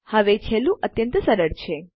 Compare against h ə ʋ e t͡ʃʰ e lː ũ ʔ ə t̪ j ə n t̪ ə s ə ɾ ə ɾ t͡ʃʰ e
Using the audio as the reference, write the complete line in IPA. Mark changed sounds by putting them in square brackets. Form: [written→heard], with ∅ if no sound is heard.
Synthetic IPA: h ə ʋ e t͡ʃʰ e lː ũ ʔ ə t̪ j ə n t̪ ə s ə ɾ ə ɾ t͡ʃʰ e